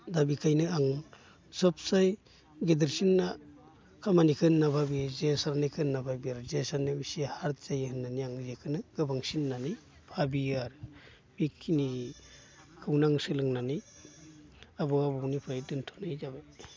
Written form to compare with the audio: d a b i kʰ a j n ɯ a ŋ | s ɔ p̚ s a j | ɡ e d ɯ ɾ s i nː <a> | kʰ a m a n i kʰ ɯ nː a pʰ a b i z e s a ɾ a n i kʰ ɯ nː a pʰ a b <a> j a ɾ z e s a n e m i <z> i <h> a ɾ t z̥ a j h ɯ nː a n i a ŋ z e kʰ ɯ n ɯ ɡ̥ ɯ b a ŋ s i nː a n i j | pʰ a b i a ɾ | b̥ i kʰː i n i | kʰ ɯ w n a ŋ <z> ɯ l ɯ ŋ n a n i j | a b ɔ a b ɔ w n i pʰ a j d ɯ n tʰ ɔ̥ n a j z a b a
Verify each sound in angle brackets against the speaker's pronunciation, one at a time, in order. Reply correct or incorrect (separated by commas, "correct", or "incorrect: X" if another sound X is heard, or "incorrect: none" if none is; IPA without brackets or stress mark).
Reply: correct, incorrect: i, incorrect: s, correct, incorrect: s